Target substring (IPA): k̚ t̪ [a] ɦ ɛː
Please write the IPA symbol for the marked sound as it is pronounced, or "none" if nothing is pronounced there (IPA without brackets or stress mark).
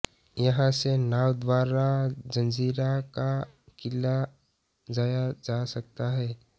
a